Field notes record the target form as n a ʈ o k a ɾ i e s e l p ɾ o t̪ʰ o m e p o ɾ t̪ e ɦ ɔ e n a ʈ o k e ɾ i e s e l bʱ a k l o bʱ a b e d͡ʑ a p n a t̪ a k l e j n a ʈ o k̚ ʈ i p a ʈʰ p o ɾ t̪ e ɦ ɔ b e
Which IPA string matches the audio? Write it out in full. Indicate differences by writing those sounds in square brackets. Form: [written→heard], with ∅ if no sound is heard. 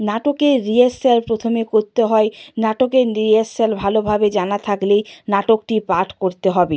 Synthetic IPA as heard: n a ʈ o k [a→e] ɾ i e s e l p ɾ o t̪ʰ o m e [p→k] o ɾ t̪ e ɦ ɔ e n a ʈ o k e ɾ i e s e l bʱ a [k→∅] l o bʱ a b e d͡ʑ a [p→∅] n a [t̪→t̪ʰ] a k l e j n a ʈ o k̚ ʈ i p a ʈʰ [p→k] o ɾ t̪ e ɦ ɔ b e